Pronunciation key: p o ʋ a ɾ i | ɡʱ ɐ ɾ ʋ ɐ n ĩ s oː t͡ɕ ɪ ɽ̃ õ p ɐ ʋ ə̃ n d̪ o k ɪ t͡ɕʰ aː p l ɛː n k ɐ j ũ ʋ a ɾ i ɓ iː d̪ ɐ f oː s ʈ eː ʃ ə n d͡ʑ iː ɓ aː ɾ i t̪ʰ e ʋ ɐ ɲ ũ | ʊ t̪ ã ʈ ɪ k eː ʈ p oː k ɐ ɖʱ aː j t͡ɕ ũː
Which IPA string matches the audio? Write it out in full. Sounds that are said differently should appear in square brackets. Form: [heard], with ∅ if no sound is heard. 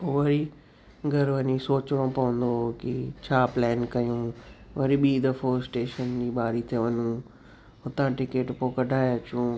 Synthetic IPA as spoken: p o ʋ [ɐ] ɾ i | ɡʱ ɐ ɾ ʋ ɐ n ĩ s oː t͡ɕ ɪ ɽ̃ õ p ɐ ʋ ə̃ n d̪ o k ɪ t͡ɕʰ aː p l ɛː n k ɐ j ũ ʋ [ɐ] ɾ i ɓ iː d̪ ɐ f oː s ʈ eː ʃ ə n d͡ʑ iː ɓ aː ɾ i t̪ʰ e ʋ ɐ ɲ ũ | ʊ t̪ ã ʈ ɪ k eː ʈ p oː k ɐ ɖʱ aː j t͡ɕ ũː